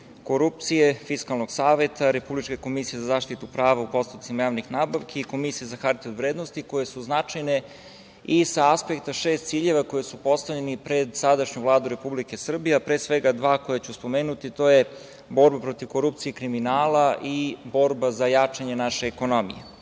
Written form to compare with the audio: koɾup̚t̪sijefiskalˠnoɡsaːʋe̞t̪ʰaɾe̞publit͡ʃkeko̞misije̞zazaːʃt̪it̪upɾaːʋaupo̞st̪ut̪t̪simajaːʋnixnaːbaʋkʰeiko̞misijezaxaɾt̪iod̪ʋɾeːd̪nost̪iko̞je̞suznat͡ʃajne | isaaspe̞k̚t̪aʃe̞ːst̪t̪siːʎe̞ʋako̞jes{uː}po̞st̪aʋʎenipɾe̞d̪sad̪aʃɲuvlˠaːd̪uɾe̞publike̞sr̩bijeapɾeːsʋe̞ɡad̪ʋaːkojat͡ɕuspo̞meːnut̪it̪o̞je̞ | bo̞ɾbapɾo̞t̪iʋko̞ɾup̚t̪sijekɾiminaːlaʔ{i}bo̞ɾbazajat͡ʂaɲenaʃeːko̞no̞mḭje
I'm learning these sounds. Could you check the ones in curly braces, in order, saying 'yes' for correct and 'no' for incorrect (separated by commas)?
no, yes